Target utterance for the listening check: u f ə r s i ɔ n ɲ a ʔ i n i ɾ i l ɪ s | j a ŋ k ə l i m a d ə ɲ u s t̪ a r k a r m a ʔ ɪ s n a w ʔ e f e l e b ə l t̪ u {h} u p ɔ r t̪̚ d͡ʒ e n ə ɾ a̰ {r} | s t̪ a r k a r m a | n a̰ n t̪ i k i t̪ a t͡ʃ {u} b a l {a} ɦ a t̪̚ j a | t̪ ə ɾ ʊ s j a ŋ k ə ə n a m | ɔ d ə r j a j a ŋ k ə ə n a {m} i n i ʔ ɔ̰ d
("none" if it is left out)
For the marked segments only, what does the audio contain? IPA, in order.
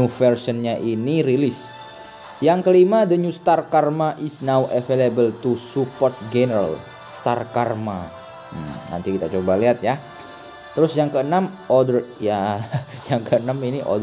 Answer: s, l, o, i, m

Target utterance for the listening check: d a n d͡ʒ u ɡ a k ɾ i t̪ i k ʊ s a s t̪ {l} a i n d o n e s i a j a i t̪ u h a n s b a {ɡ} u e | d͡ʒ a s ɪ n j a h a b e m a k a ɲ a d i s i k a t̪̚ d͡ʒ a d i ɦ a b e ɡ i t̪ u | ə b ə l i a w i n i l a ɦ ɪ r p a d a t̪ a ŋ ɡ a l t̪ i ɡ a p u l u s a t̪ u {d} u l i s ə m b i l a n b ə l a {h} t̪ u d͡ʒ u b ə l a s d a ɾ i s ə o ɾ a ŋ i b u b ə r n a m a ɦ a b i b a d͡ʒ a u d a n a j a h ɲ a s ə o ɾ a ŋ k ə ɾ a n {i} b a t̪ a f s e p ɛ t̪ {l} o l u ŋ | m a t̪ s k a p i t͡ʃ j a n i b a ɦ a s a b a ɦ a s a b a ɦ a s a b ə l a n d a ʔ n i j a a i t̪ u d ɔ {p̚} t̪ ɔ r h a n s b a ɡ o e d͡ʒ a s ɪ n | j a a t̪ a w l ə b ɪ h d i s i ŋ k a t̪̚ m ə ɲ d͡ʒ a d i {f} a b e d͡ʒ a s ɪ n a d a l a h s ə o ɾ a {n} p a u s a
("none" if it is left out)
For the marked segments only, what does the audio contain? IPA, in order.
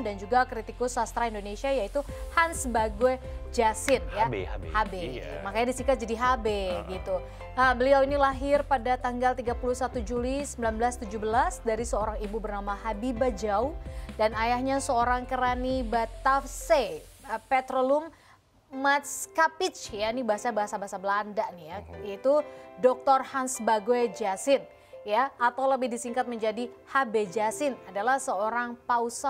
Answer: ɾ, ɡ, d͡ʒ, s, i, ɾ, k̚, h, ŋ

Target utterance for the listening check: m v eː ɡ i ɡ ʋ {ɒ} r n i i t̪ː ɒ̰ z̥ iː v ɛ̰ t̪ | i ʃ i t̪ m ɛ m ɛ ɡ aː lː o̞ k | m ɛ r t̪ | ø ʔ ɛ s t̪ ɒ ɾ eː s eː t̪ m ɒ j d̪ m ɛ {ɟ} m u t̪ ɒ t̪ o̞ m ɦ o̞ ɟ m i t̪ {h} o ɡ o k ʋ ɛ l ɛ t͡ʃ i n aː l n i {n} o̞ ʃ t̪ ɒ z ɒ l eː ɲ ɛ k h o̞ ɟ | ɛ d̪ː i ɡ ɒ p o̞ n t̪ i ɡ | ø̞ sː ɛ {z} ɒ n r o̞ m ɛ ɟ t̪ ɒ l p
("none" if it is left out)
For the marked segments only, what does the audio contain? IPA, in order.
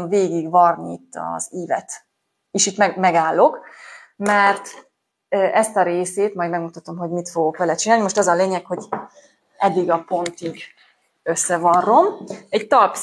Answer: ɒ, ɡ, f, m, v

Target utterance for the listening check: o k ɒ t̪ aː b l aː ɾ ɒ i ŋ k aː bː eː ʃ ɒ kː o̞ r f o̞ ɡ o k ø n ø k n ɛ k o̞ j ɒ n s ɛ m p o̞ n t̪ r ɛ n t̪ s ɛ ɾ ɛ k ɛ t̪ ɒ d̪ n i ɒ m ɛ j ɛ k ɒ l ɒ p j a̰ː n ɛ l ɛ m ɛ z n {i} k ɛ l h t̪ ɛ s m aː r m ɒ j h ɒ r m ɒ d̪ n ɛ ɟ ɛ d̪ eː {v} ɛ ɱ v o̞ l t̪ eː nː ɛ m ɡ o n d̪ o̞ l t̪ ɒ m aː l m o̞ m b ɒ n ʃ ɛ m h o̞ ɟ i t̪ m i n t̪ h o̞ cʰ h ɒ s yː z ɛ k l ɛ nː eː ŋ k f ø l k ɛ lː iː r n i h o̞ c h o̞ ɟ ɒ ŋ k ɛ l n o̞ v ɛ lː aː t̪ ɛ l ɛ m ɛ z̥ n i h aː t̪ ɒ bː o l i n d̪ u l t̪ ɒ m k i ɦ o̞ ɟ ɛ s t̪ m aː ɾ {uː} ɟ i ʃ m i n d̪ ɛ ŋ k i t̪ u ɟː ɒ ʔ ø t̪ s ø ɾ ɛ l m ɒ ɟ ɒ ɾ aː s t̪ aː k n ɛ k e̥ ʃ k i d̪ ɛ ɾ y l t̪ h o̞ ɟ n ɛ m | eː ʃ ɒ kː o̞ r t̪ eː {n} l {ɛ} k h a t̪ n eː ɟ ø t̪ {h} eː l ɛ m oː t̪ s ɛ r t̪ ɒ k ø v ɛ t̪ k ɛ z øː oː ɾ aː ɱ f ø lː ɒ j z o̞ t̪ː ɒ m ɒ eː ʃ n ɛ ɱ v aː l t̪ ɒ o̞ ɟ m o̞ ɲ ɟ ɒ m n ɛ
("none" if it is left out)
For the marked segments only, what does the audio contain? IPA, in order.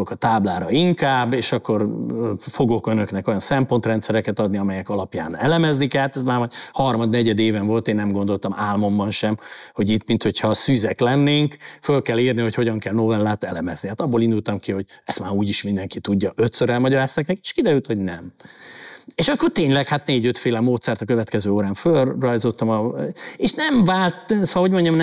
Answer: i, v, uː, ɲ, ɛ, f

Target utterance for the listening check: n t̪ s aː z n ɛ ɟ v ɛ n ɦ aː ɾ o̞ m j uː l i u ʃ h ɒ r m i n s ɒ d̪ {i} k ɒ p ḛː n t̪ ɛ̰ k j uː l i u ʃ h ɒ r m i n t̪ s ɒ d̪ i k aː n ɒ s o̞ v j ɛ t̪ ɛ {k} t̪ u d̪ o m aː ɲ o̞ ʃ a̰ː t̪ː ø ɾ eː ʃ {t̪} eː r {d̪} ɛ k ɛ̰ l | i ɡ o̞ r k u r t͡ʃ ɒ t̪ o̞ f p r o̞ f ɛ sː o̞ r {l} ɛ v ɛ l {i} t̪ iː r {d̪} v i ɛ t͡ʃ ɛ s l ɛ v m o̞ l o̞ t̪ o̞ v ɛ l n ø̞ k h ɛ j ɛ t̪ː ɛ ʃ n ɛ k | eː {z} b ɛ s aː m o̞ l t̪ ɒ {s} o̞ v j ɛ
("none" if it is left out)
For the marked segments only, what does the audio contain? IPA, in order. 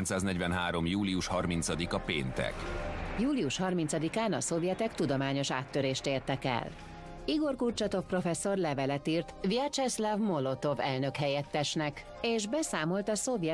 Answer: i, k, t̪, t̪, l, ɛ, t̪, ʒ, s

